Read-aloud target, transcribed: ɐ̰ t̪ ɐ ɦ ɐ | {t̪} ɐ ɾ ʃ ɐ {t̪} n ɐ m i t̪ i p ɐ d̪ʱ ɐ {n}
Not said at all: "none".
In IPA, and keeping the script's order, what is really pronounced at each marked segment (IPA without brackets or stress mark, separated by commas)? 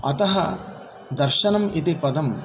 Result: d̪, none, m